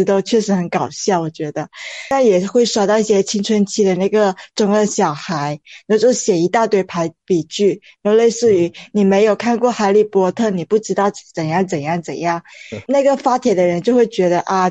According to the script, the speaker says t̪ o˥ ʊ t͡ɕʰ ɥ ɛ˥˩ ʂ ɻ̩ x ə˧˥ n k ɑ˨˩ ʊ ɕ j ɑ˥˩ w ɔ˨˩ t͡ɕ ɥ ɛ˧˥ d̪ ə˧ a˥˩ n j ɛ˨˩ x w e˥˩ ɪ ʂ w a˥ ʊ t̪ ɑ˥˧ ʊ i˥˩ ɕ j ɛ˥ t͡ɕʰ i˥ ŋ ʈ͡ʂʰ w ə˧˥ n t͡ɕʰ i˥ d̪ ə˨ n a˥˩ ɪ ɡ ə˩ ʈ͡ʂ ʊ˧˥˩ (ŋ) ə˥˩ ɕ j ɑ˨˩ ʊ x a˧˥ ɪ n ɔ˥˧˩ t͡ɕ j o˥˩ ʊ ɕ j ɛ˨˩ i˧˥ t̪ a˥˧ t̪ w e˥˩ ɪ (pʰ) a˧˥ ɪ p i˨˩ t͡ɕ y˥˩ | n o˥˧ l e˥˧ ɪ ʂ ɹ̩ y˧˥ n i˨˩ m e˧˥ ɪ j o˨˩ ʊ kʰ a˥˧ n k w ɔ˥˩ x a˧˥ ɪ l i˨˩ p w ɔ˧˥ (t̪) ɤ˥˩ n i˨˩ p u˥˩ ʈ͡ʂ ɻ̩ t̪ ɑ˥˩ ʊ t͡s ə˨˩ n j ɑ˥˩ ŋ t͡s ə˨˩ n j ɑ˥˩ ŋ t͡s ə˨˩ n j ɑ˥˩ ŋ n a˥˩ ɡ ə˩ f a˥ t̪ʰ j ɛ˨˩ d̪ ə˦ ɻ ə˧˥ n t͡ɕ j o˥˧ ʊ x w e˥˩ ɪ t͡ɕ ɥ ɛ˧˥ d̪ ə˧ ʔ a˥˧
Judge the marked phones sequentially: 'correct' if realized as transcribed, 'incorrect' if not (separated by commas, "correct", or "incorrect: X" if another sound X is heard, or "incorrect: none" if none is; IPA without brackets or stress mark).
correct, correct, incorrect: t̪ʰ